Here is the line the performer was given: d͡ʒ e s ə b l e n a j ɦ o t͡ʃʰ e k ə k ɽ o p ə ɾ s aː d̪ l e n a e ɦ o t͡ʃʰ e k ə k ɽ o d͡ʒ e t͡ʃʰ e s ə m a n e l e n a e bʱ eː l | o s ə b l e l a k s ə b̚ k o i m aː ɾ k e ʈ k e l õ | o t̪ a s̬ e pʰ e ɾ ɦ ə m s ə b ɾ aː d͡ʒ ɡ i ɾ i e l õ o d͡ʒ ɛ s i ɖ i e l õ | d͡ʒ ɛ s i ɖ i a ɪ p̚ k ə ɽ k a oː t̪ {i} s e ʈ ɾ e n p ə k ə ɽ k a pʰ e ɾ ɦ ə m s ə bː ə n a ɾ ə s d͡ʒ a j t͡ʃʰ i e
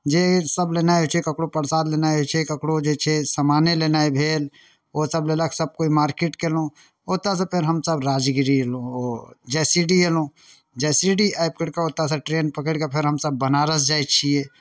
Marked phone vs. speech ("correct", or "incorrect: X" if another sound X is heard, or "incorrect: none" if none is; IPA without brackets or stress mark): incorrect: a